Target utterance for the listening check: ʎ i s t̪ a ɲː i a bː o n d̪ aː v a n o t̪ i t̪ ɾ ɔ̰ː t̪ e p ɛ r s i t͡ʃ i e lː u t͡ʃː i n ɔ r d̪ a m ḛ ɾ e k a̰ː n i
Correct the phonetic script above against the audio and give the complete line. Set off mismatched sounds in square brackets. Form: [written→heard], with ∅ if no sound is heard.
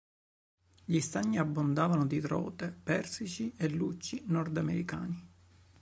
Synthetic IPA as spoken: ʎ i s t̪ a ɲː i a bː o n d̪ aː v a n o [t̪→d̪] i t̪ ɾ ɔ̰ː t̪ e p ɛ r s i t͡ʃ i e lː u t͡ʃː i n ɔ r d̪ a m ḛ ɾ [e→i] k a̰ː n i